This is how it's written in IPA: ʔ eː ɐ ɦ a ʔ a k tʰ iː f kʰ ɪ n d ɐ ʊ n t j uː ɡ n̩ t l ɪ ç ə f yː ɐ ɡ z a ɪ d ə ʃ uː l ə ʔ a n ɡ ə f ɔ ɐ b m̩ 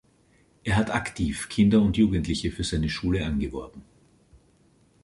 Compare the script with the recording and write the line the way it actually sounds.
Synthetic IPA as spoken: ʔ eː ɐ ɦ a t a k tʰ iː f kʰ ɪ n d ɐ ʊ n t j uː ɡ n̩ t l ɪ ç ə f yː ɐ z a ɪ n ə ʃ uː l ə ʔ a n ɡ ə v ɔ ɐ b m̩